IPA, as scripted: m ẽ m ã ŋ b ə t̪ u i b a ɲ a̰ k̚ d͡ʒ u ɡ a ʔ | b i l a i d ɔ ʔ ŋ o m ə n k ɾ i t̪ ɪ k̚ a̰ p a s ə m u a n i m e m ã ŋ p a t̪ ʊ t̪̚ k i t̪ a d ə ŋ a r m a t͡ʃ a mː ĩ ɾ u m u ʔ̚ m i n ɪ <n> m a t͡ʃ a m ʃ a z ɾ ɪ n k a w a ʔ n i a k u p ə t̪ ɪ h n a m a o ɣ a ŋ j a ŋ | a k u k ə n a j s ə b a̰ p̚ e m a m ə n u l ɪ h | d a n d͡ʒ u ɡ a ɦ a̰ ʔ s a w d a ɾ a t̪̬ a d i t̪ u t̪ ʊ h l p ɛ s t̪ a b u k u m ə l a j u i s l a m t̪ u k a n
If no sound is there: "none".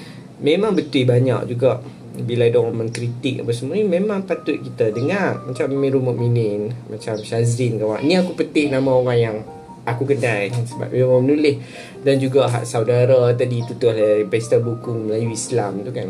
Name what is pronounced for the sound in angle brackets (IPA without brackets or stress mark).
n